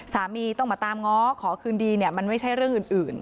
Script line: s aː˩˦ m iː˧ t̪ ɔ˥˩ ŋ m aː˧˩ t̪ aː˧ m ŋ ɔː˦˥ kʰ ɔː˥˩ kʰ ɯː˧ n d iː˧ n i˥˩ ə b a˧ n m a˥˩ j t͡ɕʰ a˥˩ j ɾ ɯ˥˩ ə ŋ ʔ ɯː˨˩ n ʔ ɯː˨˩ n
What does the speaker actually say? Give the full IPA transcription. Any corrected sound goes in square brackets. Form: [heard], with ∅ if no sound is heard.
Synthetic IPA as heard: s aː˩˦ m iː˧ t̪ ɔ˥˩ ŋ m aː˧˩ t̪ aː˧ m ŋ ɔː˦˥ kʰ [ɔː˩˦] kʰ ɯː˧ n d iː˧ n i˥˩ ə [m] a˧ n m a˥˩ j t͡ɕʰ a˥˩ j ɾ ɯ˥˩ ə ŋ ʔ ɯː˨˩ n ʔ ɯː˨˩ n